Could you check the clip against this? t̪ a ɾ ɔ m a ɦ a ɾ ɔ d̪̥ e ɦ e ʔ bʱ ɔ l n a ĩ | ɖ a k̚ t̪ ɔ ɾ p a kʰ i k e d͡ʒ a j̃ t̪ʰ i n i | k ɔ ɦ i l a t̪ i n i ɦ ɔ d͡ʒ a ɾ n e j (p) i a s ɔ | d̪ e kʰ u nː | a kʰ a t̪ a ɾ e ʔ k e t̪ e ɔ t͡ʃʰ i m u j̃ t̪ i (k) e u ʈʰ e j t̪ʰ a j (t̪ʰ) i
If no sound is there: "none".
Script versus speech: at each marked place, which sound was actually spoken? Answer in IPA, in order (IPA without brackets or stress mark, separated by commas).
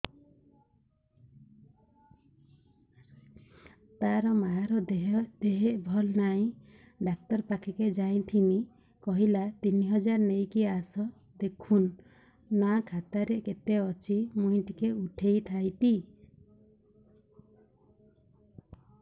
k, k, t̪